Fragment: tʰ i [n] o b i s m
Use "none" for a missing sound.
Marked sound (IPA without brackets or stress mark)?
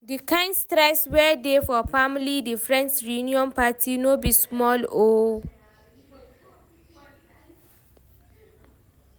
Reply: n